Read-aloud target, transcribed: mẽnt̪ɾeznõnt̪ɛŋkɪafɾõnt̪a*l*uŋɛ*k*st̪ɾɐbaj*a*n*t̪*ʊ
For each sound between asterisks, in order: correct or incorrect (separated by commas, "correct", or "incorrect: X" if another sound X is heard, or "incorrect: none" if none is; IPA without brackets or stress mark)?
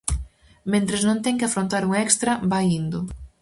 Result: incorrect: ɾ, correct, incorrect: i, incorrect: d̪